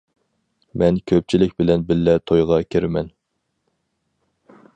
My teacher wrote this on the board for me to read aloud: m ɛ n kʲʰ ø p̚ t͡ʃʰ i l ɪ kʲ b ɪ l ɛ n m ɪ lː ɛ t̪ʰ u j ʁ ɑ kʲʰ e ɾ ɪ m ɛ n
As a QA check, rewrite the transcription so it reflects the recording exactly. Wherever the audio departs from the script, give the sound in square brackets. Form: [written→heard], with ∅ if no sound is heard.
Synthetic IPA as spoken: m ɛ n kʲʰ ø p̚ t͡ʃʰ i l ɪ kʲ b ɪ l ɛ n [m→b] ɪ lː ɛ t̪ʰ [u→o] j ʁ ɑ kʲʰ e ɾ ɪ m ɛ n